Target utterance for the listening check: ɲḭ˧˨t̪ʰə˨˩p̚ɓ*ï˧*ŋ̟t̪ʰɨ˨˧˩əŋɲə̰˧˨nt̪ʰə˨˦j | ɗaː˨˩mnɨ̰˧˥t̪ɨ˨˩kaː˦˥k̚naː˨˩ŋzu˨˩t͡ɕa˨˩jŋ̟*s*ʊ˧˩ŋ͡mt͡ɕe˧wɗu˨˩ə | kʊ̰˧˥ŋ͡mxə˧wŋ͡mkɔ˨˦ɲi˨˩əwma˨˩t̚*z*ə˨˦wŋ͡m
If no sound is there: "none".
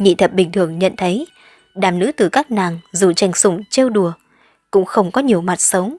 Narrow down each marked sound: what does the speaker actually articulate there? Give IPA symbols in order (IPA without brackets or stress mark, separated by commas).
ï˨˩, s, s